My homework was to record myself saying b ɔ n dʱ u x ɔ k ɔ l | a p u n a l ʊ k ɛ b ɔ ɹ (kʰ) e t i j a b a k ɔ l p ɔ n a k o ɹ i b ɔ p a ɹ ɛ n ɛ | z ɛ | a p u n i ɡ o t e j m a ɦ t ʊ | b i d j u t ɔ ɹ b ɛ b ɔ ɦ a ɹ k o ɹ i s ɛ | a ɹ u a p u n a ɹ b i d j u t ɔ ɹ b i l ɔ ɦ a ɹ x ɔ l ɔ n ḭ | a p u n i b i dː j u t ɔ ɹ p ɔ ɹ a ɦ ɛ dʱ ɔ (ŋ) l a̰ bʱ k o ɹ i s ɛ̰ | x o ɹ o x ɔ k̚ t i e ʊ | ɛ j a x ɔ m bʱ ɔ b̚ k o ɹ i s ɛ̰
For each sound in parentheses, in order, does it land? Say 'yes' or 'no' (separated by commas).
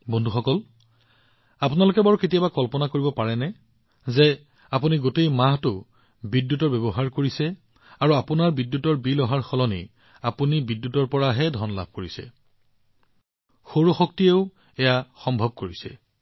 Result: no, no